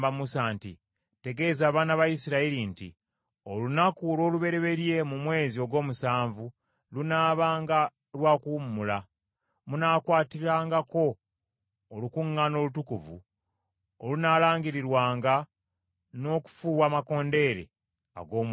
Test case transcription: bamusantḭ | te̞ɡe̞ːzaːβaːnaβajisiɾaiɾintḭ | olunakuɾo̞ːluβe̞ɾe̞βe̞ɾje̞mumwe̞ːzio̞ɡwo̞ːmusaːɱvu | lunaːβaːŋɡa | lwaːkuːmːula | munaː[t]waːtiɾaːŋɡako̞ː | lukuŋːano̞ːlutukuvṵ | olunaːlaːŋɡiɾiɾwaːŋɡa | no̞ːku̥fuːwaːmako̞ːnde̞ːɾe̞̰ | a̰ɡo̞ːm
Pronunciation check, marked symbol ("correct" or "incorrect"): incorrect